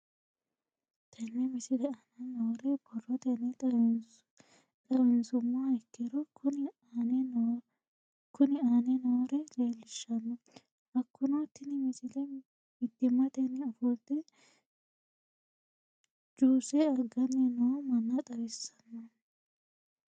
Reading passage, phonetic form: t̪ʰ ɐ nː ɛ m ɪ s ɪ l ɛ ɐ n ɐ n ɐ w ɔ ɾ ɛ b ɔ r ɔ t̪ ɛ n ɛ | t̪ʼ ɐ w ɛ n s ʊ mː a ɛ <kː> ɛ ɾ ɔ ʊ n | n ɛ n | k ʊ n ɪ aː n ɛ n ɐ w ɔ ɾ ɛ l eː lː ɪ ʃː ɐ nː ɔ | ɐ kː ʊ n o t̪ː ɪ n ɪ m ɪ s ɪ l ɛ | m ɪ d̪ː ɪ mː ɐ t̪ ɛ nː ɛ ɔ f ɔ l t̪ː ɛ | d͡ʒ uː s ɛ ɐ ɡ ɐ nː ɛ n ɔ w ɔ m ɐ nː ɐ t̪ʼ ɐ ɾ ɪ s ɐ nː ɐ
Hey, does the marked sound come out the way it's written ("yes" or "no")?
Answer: yes